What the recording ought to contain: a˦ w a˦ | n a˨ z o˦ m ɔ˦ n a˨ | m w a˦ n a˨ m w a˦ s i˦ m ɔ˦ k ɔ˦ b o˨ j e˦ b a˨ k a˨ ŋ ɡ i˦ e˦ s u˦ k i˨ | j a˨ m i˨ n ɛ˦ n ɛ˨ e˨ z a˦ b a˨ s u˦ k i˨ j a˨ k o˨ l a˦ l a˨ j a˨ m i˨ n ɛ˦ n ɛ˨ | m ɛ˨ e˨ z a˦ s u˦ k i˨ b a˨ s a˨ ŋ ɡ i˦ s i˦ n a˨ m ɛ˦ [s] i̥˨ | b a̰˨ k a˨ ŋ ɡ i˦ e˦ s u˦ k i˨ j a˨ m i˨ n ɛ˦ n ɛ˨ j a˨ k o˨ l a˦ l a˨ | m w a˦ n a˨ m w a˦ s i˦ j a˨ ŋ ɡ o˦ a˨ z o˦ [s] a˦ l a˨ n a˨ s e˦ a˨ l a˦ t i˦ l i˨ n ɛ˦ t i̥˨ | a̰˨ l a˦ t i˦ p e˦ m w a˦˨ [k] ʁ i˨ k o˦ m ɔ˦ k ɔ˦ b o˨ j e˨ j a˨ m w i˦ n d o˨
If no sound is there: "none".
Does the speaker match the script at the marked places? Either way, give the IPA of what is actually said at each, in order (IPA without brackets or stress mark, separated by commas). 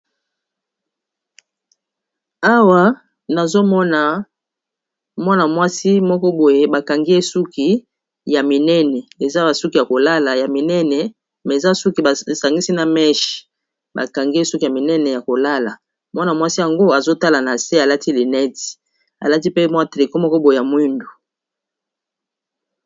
ʃ, t, t